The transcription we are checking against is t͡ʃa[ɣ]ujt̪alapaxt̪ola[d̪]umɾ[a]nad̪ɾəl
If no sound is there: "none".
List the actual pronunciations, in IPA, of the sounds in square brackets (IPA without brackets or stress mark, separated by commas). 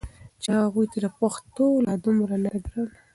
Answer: ɣ, d̪, a